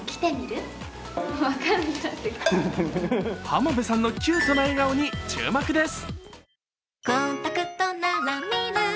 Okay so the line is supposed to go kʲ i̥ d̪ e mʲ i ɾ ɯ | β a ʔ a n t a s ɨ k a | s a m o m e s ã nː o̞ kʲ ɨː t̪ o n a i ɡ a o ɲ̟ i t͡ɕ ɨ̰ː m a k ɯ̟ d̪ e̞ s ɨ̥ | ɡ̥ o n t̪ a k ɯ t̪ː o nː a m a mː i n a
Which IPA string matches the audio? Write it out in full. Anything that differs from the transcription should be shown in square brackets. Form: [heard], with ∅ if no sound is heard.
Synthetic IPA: kʲ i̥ [t̪] e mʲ i ɾ ɯ | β a [k] a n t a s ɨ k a | [h] a m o [b] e s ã nː o̞ kʲ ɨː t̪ o n a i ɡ a o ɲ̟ i t͡ɕ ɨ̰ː m a k ɯ̟ d̪ e̞ s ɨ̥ | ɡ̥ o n t̪ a k ɯ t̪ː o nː a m a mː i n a